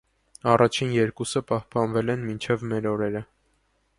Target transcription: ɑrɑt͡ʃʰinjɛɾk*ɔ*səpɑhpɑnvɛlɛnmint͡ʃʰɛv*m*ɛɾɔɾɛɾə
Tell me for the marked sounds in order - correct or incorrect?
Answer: incorrect: u, correct

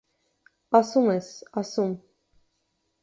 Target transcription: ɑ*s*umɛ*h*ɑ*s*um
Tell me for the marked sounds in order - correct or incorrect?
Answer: correct, incorrect: s, correct

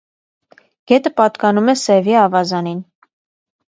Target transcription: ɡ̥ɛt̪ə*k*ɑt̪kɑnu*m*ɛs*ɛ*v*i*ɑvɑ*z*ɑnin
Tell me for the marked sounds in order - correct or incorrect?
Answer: incorrect: p, correct, correct, correct, correct

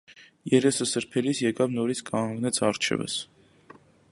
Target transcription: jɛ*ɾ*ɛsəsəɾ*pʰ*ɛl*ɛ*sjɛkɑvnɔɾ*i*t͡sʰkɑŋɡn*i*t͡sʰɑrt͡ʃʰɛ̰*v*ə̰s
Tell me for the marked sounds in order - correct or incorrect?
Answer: correct, correct, incorrect: i, correct, incorrect: ɛ, correct

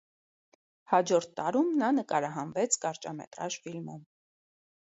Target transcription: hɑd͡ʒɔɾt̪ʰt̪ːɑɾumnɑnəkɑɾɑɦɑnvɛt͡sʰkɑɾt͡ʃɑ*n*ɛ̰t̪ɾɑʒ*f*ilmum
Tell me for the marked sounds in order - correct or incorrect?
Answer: incorrect: m, correct

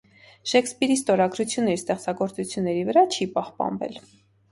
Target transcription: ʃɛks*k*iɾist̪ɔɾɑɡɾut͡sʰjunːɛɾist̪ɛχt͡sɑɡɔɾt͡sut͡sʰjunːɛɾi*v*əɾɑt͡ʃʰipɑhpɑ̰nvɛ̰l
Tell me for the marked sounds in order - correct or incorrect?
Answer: incorrect: p, correct

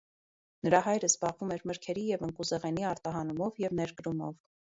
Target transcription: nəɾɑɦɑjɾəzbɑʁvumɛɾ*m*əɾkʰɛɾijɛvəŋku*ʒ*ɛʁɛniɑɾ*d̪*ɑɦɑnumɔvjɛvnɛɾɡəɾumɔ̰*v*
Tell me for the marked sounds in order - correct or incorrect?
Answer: correct, incorrect: z, incorrect: t̪, correct

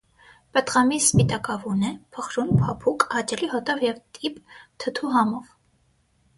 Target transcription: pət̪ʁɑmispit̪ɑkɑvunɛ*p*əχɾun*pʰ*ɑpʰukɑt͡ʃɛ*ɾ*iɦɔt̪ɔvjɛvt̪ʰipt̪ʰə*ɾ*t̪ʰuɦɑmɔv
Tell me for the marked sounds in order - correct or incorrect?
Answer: incorrect: pʰ, correct, incorrect: l, incorrect: none

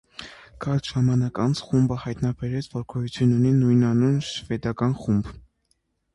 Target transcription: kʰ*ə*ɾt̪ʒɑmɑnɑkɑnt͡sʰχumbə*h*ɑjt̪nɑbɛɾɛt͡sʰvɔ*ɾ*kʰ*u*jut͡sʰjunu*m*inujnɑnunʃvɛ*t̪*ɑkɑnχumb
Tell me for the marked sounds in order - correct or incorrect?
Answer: incorrect: ɑ, correct, correct, incorrect: ɔ, incorrect: n, incorrect: d̪

